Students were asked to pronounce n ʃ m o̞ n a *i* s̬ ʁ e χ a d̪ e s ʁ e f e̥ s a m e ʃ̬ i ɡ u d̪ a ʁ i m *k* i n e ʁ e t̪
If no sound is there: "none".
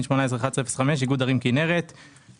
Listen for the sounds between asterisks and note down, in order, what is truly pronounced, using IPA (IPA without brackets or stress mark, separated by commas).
e, k